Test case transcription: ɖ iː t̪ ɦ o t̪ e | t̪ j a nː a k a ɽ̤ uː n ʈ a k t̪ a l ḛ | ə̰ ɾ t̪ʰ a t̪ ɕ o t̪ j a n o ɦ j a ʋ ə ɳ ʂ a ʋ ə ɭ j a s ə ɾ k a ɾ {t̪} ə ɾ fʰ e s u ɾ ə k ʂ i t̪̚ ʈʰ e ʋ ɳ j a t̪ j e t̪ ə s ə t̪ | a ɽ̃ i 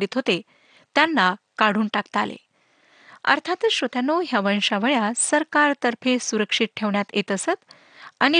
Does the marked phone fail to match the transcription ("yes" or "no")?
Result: no